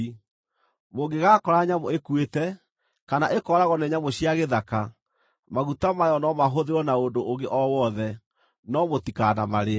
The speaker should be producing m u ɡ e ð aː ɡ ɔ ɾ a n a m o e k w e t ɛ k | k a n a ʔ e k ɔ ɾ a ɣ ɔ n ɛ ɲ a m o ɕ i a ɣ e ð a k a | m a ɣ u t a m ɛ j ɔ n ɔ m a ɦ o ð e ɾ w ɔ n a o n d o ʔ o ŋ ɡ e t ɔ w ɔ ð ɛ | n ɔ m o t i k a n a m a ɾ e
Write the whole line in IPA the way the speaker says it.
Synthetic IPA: m o ɡ e ɣ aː k ɔ ɾ a ɲ a m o e k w e t ɛ | k a n a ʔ e k ɔ ɾ a ɣ ɔ n ɛ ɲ a m o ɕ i a ɣ e ð a k a | m a ɣ u t a m a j ɔ n ɔ m a ɦ o ð e ɾ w ɔ n a o n d o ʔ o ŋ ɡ e ʔ ɔ w ɔ ð ɛ | n ɔ m o t i k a n a m a ɾ e